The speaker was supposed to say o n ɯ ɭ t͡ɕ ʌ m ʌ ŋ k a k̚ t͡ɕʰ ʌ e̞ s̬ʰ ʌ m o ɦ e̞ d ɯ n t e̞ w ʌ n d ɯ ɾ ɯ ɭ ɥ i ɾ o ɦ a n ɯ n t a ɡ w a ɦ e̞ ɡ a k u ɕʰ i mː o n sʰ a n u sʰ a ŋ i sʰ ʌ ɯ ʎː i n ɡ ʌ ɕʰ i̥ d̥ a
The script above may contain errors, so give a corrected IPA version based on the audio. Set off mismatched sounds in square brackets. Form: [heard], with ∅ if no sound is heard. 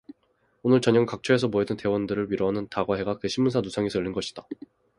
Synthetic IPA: o n ɯ ɭ t͡ɕ ʌ [ɲ] ʌ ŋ k a k̚ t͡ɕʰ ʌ e̞ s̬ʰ ʌ m o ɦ e̞ d ɯ n t e̞ w ʌ n d ɯ ɾ ɯ ɭ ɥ i ɾ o ɦ a n ɯ n t a ɡ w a ɦ e̞ ɡ a k [ɯ] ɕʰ i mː [u] n sʰ a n u sʰ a ŋ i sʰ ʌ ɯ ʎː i n ɡ ʌ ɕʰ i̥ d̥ a